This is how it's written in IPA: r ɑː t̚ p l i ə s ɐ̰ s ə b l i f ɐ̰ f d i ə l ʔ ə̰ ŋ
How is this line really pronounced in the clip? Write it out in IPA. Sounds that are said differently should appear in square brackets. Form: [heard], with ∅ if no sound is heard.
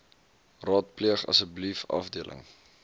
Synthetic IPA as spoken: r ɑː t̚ p l i ə [χ] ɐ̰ s ə b l i f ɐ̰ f d i ə l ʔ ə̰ ŋ